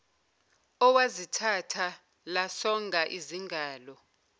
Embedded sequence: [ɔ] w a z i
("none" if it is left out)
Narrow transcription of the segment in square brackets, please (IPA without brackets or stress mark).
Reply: ɔ